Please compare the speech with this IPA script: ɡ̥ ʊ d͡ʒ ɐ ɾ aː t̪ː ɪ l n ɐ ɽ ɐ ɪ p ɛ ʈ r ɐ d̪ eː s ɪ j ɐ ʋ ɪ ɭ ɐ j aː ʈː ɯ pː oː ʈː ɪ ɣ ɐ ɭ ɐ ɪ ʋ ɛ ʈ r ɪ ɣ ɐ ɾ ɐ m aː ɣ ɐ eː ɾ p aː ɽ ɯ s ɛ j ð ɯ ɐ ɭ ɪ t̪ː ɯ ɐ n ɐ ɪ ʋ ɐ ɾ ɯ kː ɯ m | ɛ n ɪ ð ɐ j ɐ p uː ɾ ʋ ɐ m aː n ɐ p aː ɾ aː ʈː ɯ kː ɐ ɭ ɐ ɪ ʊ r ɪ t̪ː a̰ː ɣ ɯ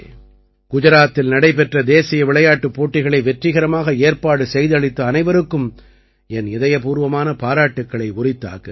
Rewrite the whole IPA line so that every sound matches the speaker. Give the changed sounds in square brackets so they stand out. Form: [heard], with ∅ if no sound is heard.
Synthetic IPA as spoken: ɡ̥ ʊ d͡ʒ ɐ ɾ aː t̪ː ɪ l n ɐ ɽ ɐ ɪ p ɛ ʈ r ɐ d̪ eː s ɪ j ɐ ʋ ɪ ɭ ɐ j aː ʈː ɯ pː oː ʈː ɪ ɣ ɐ ɭ ɐ ɪ ʋ ɛ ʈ r ɪ ɣ ɐ ɾ ɐ m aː ɣ ɐ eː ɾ p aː ɽ ɯ s ɛ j ð ɯ ɐ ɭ ɪ t̪ː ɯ ɐ n ɐ ɪ ʋ ɐ ɾ ɯ kː ɯ m | ɛ n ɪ ð ɐ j ɐ p uː ɾ ʋ ɐ m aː n ɐ p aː ɾ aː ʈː ɯ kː ɐ ɭ ɐ ɪ ʊ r ɪ t̪ː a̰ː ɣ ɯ